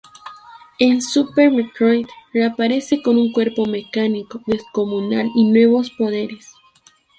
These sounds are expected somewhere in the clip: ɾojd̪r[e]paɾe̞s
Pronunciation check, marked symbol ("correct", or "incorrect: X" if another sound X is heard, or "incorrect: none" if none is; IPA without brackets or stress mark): incorrect: a